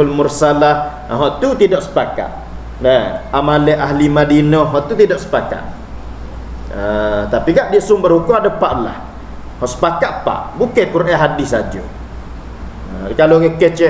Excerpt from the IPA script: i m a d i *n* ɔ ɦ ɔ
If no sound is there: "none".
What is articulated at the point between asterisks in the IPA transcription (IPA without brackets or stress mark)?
n